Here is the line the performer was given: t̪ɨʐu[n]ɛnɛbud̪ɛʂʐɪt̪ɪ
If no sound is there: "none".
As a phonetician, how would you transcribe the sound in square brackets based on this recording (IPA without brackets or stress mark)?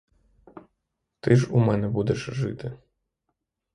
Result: m